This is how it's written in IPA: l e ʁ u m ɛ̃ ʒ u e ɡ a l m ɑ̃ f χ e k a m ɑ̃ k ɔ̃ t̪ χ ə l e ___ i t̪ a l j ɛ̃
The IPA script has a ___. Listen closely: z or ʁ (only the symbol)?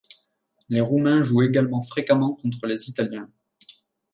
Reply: z